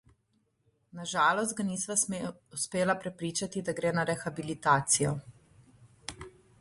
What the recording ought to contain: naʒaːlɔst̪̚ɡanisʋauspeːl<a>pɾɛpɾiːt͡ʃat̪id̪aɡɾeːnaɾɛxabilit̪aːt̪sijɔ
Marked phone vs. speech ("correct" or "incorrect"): correct